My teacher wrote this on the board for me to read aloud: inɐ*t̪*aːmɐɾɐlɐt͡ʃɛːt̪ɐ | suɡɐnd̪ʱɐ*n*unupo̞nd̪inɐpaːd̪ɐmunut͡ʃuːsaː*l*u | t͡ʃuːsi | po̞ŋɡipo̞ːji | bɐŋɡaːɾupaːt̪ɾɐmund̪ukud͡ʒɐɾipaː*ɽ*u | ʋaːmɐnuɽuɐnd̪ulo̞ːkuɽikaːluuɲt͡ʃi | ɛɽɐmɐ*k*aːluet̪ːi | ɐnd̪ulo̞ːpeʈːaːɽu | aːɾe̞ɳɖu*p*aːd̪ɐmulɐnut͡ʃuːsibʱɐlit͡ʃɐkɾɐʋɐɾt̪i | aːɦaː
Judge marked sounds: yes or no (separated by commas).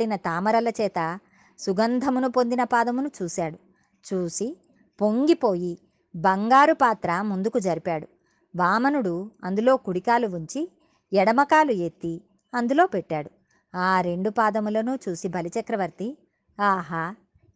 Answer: yes, no, no, yes, yes, yes